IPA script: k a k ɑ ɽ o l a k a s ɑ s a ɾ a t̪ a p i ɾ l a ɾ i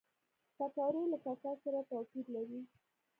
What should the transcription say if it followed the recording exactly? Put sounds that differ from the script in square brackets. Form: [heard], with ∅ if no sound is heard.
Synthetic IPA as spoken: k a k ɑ [ɾ] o l a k a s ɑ s a ɾ a t̪ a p i ɾ l a ɾ i